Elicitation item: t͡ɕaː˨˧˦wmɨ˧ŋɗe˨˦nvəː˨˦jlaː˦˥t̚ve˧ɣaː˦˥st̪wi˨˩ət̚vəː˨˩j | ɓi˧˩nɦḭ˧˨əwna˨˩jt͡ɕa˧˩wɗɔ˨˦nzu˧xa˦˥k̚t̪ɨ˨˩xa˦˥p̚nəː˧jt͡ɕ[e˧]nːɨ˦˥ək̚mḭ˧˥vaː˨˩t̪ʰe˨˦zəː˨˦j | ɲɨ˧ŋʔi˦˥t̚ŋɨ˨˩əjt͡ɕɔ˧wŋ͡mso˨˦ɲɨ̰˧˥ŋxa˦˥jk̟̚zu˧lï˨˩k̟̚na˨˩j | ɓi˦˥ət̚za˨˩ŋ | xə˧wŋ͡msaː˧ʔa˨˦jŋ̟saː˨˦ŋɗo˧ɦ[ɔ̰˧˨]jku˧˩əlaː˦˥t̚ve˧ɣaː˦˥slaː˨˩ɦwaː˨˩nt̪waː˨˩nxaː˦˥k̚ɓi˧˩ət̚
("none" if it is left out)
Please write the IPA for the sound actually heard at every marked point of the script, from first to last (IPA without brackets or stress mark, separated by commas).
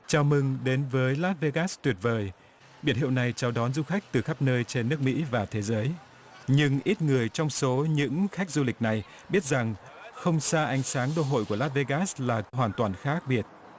e˧, o̰˧˨